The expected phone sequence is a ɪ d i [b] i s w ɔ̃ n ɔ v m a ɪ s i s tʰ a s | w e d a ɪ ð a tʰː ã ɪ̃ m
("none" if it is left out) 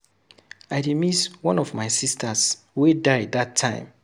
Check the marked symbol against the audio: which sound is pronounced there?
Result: m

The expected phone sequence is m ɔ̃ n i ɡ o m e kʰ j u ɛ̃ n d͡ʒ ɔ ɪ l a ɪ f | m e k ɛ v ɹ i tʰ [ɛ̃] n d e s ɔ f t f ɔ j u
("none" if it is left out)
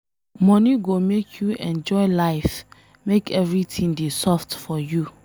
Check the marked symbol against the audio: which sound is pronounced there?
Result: ĩ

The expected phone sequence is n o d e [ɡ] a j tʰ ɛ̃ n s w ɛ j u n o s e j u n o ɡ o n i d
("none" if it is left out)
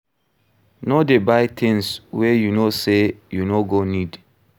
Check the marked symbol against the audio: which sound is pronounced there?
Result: b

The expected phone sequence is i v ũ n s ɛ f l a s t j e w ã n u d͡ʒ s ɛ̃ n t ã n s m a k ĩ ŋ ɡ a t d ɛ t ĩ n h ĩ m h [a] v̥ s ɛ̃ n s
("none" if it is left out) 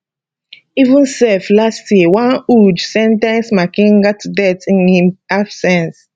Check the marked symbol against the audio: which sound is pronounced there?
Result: a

